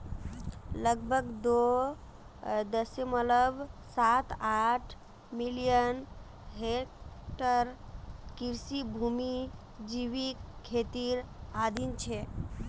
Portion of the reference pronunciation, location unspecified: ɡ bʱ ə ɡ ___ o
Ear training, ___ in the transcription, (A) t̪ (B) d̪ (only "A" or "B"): B